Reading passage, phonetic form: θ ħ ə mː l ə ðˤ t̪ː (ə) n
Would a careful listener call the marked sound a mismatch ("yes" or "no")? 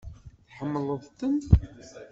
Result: no